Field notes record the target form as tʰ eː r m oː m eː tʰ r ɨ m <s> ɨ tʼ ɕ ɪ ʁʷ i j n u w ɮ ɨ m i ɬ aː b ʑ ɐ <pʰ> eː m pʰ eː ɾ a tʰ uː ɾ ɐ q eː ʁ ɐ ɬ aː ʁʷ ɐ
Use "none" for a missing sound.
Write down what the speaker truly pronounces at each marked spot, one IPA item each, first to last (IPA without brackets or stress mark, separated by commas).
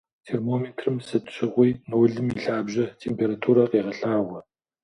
s, tʰ